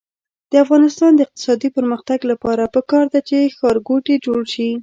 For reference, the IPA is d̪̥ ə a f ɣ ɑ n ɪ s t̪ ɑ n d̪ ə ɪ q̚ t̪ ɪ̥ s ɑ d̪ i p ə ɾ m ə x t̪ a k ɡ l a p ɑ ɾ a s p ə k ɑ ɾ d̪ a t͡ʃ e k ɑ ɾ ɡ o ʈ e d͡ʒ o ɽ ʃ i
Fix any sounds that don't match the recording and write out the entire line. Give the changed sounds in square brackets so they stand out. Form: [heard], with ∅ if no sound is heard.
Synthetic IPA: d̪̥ ə a f ɣ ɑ n ɪ s t̪ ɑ n d̪ ə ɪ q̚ t̪ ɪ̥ s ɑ d̪ i p ə ɾ m ə x t̪ a [∅] ɡ l a p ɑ ɾ a [∅] p ə k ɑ ɾ d̪ a t͡ʃ e [x] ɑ ɾ ɡ o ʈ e d͡ʒ o ɽ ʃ i